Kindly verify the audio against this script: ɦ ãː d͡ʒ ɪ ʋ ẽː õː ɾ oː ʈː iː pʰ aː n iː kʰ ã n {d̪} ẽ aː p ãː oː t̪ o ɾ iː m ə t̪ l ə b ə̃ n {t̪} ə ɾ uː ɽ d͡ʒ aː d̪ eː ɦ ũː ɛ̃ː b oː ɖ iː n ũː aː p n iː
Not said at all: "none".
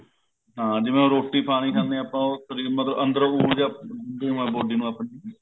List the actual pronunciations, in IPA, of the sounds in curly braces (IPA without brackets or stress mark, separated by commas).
d̪, d̪